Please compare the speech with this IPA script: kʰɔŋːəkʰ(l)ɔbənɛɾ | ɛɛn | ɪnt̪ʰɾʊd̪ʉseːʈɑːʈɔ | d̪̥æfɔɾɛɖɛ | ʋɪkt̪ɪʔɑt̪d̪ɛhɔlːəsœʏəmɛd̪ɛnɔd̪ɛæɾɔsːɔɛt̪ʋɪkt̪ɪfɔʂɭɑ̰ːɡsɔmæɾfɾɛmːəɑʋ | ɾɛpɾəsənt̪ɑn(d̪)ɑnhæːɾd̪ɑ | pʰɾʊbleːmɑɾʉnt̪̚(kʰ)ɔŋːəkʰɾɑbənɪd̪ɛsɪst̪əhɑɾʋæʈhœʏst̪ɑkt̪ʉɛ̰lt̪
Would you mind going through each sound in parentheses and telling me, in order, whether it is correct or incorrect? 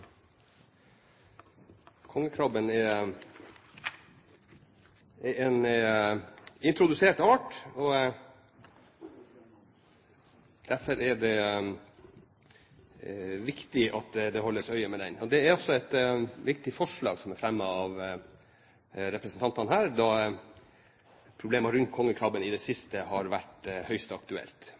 incorrect, incorrect, correct

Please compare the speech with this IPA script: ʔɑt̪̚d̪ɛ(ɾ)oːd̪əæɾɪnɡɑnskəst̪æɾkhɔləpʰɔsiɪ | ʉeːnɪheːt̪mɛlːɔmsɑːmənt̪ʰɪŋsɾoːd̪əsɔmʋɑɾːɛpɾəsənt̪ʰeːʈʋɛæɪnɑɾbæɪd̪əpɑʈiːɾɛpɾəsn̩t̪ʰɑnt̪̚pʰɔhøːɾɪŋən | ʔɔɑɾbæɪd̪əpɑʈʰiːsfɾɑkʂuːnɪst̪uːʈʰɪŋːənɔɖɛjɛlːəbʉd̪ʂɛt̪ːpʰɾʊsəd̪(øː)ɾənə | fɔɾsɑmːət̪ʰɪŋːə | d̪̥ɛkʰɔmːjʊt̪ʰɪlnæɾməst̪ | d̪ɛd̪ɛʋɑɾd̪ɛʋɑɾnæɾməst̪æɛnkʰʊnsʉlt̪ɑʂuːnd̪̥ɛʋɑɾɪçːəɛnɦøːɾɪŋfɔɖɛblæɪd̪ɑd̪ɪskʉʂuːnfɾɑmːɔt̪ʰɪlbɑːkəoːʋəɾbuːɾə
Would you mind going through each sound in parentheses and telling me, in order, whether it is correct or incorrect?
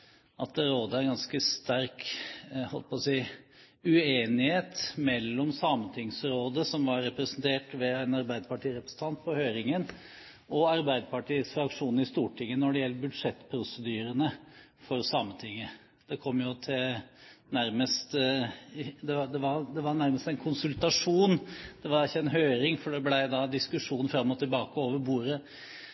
correct, incorrect

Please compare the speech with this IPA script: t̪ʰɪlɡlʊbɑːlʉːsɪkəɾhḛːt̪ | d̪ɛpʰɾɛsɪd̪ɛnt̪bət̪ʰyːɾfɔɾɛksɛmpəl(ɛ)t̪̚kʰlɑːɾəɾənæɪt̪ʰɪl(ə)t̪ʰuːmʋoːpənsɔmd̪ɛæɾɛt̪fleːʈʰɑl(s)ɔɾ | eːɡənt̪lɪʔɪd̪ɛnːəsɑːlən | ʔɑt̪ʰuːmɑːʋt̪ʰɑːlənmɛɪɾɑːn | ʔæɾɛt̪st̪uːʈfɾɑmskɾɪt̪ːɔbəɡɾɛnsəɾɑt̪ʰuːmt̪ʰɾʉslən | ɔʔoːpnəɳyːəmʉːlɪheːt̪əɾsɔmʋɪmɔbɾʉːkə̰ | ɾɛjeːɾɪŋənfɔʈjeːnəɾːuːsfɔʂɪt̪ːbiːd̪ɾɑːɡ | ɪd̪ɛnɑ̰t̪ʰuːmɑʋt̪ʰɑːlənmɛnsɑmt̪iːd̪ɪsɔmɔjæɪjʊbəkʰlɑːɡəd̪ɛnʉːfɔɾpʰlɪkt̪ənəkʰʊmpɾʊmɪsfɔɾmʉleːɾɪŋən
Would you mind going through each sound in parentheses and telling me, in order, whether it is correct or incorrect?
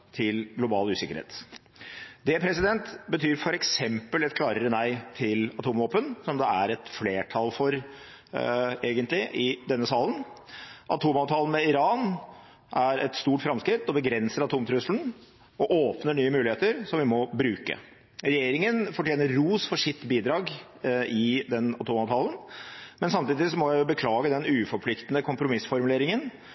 correct, incorrect, incorrect

